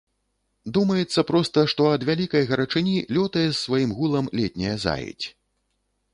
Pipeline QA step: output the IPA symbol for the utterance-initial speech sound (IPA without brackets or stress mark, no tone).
d̪